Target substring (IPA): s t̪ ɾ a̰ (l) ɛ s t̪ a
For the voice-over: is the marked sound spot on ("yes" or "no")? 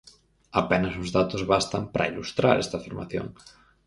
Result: no